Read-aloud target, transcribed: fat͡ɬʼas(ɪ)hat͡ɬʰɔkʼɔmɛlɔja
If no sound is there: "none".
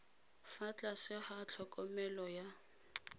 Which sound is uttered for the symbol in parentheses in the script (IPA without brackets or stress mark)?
ɪ